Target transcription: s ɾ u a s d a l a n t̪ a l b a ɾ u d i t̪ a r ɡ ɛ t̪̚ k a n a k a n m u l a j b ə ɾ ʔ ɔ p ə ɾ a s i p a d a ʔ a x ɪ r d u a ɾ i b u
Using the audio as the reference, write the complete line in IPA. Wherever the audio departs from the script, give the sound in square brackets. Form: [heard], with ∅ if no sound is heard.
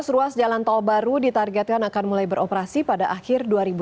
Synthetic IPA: s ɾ u a s [d͡ʒ] a l a n t̪ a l b a ɾ u d i t̪ a r ɡ ɛ t̪̚ k a n a k a n m u l a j b ə ɾ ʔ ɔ p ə ɾ a s i p a d a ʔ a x ɪ r d u a ɾ i b u